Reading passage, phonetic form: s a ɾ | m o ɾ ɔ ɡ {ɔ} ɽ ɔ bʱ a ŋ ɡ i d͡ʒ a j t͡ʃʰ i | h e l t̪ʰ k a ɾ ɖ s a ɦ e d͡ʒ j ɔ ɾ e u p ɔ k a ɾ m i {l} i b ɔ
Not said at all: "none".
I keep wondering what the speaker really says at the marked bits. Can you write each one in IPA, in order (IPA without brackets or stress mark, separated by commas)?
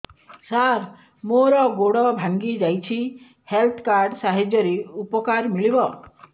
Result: o, ɭ